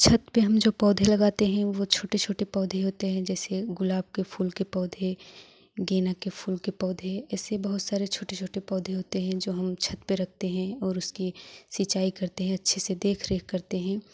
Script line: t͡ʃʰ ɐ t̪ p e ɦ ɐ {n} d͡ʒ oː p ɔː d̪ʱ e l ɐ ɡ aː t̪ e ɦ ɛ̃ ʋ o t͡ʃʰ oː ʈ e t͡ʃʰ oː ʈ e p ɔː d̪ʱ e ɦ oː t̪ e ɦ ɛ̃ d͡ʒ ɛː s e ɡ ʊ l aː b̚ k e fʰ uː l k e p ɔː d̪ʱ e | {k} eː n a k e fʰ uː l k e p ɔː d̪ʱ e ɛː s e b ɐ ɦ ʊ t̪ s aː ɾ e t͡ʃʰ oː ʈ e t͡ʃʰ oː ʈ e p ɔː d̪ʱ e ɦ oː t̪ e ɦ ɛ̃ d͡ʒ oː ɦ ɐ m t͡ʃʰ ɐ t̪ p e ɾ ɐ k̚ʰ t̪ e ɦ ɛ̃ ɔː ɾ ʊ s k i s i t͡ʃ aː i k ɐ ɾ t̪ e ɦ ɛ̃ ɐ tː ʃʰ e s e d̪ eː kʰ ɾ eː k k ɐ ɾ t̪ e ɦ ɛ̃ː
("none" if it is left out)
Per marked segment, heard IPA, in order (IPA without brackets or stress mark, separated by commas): m, ɡ